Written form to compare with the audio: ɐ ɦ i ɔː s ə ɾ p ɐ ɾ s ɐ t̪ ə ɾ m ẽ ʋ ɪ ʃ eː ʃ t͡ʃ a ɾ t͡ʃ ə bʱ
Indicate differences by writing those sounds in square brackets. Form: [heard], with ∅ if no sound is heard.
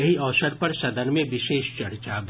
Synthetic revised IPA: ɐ ɦ i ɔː s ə ɾ p ɐ ɾ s ɐ [d̪] ə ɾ m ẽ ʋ ɪ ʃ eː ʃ t͡ʃ [ɐ] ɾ t͡ʃ [a] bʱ